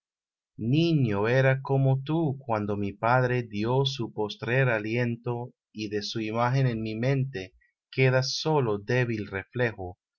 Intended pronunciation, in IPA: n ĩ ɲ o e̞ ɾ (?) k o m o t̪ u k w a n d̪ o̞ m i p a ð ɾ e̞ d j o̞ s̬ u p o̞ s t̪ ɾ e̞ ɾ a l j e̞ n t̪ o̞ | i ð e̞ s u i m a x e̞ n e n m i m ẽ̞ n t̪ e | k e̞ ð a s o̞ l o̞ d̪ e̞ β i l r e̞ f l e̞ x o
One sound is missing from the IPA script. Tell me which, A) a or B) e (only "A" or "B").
A